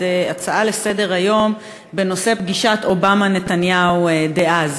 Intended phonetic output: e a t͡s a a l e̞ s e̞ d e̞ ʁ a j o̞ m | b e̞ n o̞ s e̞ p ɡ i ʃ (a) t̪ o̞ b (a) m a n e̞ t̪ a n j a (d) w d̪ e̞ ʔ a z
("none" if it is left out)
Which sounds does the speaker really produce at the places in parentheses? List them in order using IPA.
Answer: a, a, none

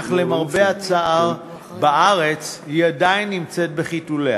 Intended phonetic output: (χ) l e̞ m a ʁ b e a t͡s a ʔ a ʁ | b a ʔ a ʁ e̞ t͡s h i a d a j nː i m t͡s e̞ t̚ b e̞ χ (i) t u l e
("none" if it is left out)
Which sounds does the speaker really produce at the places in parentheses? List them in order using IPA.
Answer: χ, i

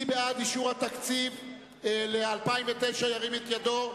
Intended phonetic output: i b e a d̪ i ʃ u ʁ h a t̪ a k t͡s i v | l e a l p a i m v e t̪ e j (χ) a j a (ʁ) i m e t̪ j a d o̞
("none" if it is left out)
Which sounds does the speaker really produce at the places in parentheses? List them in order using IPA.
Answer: ʃ, ʁ

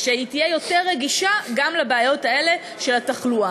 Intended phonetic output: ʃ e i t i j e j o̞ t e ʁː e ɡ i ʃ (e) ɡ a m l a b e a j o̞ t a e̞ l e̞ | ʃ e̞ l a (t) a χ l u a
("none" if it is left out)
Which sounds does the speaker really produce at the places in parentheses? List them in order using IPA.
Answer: a, t

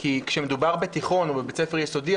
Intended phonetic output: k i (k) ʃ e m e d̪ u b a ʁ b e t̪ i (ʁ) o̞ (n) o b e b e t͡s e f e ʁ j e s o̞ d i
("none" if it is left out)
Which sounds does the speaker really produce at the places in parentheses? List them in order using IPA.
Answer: k, χ, n

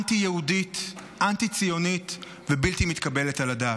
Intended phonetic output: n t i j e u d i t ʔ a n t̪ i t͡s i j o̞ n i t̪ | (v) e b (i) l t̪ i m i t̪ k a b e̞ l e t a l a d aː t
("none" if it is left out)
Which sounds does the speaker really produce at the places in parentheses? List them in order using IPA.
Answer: v, i

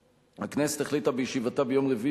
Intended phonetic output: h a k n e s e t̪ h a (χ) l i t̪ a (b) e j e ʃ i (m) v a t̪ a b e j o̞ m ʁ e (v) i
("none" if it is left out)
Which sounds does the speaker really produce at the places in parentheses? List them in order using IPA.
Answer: χ, b, none, v

